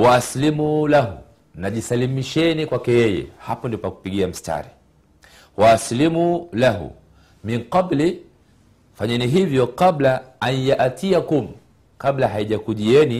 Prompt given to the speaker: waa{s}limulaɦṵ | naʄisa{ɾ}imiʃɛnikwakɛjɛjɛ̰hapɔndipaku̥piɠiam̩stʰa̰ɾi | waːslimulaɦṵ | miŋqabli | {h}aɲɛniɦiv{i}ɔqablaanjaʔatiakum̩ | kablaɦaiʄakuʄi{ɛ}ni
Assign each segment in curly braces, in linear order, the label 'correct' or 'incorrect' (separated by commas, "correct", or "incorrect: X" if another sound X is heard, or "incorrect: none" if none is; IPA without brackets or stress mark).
correct, incorrect: l, incorrect: f, incorrect: j, correct